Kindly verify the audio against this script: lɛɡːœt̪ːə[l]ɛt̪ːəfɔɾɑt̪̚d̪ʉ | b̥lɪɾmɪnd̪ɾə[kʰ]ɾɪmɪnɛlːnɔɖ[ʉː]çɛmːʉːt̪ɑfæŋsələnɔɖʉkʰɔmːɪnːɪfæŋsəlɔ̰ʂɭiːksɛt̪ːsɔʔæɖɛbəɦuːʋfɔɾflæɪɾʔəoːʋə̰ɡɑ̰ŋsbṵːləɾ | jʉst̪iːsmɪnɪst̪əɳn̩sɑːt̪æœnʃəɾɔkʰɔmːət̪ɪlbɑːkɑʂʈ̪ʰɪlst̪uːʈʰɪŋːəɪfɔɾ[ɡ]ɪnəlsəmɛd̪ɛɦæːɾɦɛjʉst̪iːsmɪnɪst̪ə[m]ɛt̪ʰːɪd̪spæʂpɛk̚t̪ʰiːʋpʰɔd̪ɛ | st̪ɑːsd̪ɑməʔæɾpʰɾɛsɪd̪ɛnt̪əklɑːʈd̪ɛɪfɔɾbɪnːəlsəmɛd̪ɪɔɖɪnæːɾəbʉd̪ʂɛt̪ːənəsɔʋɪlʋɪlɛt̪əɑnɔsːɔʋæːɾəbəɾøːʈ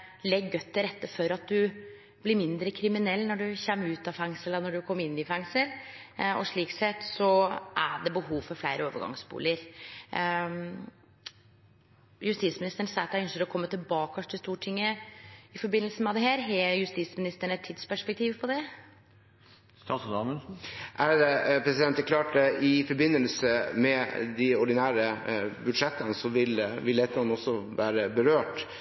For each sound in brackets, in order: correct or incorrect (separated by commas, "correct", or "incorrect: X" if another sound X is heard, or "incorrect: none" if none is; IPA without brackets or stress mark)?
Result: incorrect: ɾ, correct, incorrect: ʉ, incorrect: b, incorrect: ɳ